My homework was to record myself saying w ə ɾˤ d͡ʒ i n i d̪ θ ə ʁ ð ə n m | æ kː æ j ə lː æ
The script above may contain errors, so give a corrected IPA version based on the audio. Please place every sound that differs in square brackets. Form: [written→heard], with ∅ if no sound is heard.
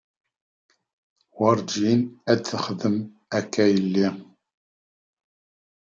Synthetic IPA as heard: w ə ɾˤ d͡ʒ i n [i→æ] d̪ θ ə [ʁ→χ] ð ə [n→∅] m | æ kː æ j ə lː [æ→i]